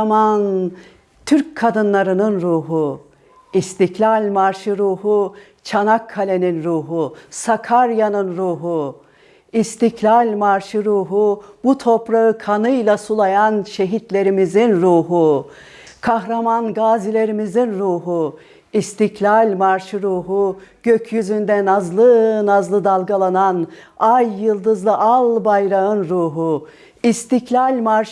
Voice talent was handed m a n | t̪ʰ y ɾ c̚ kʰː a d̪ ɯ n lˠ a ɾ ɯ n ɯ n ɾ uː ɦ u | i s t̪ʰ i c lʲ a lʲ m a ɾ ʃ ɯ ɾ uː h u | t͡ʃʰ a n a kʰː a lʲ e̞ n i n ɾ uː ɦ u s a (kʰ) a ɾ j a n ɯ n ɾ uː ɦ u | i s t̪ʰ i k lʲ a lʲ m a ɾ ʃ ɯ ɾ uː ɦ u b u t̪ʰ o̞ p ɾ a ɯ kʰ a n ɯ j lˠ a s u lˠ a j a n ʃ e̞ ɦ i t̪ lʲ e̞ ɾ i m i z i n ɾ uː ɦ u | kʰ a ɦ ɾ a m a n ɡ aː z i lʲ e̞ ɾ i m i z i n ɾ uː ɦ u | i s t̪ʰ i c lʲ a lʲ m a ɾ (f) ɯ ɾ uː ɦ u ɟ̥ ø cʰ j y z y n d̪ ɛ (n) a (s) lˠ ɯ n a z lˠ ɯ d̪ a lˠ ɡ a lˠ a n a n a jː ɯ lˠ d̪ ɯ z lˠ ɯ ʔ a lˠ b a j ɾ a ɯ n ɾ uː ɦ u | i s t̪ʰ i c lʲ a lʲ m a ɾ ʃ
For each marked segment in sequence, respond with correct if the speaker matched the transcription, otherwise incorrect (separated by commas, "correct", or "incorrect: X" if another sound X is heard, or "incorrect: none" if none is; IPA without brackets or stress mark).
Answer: correct, incorrect: ʃ, correct, incorrect: z